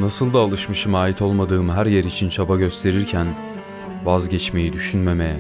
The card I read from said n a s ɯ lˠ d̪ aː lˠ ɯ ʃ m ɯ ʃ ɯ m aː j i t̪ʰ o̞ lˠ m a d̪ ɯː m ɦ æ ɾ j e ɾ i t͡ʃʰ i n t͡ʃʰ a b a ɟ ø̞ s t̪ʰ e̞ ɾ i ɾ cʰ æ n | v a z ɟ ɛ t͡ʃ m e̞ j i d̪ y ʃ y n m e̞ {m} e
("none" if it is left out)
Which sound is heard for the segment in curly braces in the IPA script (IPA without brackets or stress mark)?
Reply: m